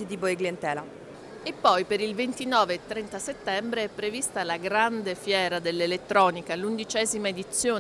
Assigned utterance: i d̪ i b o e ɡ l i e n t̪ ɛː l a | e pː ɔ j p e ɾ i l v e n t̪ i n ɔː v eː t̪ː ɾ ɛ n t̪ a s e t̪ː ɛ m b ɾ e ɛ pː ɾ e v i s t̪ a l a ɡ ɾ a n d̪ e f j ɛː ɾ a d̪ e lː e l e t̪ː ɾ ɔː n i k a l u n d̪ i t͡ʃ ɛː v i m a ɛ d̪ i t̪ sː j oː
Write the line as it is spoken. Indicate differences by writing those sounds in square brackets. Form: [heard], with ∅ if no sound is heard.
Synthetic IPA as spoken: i d̪ i b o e ɡ l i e n t̪ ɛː l a | e pː ɔ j p e ɾ i l v e n t̪ i n ɔː v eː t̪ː ɾ ɛ n t̪ a s e t̪ː ɛ m b ɾ e ɛ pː ɾ e v i s t̪ a l a ɡ ɾ a n d̪ e f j ɛː ɾ a d̪ e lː e l e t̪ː ɾ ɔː n i k a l u n d̪ i t͡ʃ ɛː [z] i m a [e] d̪ i t̪ sː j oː

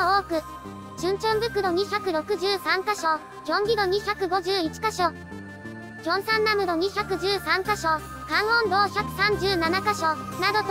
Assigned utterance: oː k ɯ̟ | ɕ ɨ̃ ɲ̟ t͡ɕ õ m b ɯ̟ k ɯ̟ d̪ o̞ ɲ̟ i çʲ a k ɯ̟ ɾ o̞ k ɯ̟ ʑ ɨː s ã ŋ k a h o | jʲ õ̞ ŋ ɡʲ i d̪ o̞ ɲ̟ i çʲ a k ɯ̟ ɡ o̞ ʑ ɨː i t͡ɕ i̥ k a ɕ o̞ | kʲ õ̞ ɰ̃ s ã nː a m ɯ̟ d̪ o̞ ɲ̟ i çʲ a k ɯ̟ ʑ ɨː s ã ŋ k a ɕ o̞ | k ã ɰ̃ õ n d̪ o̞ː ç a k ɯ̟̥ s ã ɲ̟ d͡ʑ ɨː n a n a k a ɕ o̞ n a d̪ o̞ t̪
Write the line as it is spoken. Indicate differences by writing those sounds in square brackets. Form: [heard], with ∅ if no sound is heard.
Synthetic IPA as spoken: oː k ɯ̟ | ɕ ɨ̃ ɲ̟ t͡ɕ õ m b ɯ̟ k ɯ̟ d̪ o̞ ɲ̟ i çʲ a k ɯ̟ ɾ o̞ k ɯ̟ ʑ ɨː s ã ŋ k a [ɕ] o | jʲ õ̞ ŋ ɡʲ i d̪ o̞ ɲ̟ i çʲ a k ɯ̟ ɡ o̞ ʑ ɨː i t͡ɕ i̥ k a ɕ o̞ | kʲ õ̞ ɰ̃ s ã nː a m ɯ̟ d̪ o̞ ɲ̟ i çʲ a k ɯ̟ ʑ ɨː s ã ŋ k a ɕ o̞ | k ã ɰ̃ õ n d̪ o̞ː ç a k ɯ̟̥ s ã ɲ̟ d͡ʑ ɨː n a n a k a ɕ o̞ n a d̪ o̞ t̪

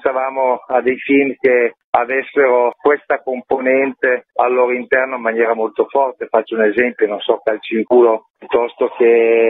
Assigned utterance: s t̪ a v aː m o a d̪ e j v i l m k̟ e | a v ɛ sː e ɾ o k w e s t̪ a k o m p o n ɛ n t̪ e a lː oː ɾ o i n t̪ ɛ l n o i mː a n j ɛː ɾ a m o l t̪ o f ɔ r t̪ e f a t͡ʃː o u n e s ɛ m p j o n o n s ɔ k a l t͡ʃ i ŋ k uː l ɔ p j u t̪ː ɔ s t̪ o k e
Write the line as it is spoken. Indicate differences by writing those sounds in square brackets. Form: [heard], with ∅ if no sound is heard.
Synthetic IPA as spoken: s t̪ a v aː m o a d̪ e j [f] i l m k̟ e | a v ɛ sː e ɾ o k w e s t̪ a k o m p o n ɛ n t̪ e a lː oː ɾ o i n t̪ ɛ [r] n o i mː a n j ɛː ɾ a m o l t̪ o f ɔ r t̪ e f a t͡ʃː o u n e [z] ɛ m p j o n o n s ɔ k a l t͡ʃ i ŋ k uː l [o] p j u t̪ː ɔ s t̪ o k e

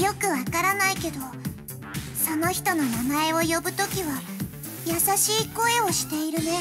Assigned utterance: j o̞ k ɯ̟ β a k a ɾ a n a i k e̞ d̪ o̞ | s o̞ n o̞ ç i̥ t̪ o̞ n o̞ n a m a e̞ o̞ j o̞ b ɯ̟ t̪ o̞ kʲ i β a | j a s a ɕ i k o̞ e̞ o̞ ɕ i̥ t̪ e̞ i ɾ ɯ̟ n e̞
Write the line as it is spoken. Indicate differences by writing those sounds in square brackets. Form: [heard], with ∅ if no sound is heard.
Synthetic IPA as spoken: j o̞ k ɯ̟ β a k a ɾ a n a i k e̞ d̪ o̞ | s o̞ n o̞ ç i̥ t̪ o̞ n o̞ n a m a e̞ o̞ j o̞ b ɯ̟ t̪ o̞ kʲ i β a | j a s a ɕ [iː] k o̞ e̞ o̞ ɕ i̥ t̪ e̞ i ɾ ɯ̟ n e̞

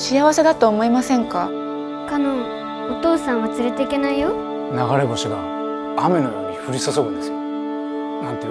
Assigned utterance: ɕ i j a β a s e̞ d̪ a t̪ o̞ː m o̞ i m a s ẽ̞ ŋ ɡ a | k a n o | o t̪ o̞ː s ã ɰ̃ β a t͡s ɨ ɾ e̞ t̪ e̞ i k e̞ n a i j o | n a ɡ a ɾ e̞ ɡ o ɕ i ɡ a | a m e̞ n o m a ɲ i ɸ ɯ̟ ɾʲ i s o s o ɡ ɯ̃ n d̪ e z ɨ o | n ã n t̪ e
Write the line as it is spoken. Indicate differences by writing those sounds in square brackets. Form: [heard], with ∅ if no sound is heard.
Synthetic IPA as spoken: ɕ i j a β a s e̞ d̪ a t̪ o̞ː m o̞ i m a s ẽ̞ ŋ [k] a | k a n o | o t̪ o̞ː s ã ɰ̃ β a t͡s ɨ ɾ e̞ t̪ e̞ i k e̞ n a i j o | n a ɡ a ɾ e̞ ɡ o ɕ i ɡ a | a m e̞ n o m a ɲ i ɸ ɯ̟ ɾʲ i s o s o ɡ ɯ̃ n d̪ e [s] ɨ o | n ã n t̪ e

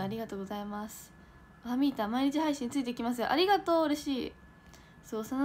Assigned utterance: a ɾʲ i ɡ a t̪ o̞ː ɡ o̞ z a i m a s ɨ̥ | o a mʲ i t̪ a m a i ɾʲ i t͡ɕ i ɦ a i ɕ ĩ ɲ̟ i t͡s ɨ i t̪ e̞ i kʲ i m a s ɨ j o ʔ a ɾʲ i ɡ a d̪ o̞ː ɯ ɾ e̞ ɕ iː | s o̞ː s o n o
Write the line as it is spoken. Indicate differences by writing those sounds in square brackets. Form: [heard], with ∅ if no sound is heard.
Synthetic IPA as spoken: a ɾʲ i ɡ a t̪ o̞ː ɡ o̞ z a i m a s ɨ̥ | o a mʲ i t̪ a m a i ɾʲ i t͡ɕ i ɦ a i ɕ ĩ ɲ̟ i t͡s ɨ i t̪ e̞ i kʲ i m a s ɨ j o ʔ a ɾʲ i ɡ a [t̪] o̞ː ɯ ɾ e̞ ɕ iː | s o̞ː s o n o

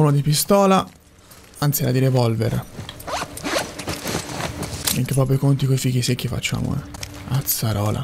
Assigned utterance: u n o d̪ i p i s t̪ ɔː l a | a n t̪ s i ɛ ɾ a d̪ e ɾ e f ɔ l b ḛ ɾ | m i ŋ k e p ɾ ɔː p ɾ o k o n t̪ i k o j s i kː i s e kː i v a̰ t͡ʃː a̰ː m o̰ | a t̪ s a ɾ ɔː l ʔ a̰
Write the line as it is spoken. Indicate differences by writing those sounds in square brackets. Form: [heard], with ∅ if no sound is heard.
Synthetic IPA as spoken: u n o d̪ i p i s t̪ ɔː l a | a n t̪ s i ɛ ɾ a d̪ [i] ɾ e [v] ɔ l [v] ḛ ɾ | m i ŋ k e p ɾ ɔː p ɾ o k o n t̪ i k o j [f] i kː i s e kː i [f] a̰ t͡ʃː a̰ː m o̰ | a t̪ s a ɾ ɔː l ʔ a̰

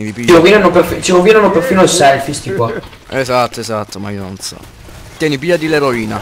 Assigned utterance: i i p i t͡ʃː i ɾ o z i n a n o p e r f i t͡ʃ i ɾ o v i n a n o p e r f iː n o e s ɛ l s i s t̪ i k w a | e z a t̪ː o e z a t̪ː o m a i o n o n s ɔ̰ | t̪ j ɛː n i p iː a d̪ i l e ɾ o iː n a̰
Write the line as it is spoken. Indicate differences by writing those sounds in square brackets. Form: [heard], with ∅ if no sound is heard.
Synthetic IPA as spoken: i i p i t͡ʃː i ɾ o [v] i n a n o p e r f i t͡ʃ i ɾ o v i n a n o p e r f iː n o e s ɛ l [f] i s t̪ i k w a | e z a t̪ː o e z a t̪ː o m a i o n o n s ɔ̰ | t̪ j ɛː n i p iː a d̪ i l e ɾ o iː n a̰

